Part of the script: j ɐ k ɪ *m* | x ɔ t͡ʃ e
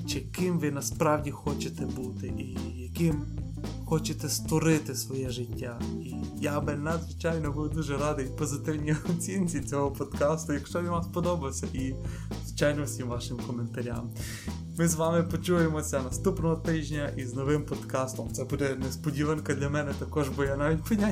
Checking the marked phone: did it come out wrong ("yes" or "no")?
no